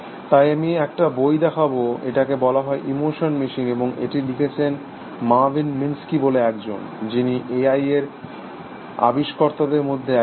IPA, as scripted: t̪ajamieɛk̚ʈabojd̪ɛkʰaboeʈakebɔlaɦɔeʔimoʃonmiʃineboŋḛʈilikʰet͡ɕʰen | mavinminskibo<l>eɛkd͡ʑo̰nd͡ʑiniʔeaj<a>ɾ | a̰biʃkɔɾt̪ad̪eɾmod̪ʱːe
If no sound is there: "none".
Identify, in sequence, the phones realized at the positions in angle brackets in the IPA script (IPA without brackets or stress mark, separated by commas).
l, e